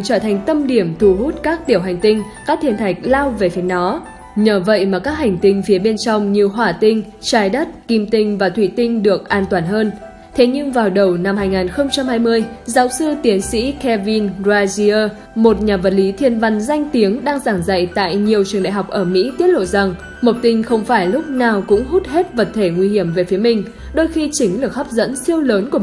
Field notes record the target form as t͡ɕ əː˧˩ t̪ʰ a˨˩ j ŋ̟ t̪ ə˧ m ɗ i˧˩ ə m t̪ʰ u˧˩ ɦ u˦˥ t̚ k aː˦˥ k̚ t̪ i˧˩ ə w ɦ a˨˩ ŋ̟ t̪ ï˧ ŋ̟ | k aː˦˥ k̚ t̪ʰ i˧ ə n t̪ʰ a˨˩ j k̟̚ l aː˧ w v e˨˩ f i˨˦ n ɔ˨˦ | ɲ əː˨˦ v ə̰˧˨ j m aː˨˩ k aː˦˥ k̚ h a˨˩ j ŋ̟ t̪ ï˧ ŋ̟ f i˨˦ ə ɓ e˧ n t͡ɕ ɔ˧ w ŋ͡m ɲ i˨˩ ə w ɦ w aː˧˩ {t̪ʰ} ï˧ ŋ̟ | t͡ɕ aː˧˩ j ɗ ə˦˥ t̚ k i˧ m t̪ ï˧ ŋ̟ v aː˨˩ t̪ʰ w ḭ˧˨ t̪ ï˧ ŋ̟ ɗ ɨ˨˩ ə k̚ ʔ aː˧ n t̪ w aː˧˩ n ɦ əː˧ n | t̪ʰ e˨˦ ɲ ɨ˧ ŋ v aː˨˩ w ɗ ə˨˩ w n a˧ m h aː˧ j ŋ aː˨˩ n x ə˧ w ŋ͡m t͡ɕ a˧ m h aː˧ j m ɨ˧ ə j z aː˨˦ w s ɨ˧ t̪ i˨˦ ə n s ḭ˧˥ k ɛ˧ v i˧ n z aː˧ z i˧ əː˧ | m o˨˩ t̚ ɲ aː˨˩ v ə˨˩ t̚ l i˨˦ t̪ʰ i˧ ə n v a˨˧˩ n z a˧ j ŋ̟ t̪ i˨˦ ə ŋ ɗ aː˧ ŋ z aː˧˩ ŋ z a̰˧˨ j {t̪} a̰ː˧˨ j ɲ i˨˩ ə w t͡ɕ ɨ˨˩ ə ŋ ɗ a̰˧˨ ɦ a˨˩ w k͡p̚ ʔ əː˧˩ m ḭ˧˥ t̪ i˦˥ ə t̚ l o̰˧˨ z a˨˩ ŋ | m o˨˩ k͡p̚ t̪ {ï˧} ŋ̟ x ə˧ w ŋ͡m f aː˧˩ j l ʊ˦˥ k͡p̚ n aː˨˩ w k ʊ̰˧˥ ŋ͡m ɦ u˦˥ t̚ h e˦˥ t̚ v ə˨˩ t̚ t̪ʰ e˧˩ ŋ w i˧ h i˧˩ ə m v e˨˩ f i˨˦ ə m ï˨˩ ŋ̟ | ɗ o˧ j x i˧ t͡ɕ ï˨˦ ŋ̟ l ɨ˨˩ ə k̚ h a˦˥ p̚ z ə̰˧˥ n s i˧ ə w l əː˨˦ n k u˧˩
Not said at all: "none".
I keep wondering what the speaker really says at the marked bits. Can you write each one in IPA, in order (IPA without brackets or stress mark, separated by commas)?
t̪, t̪, ï˧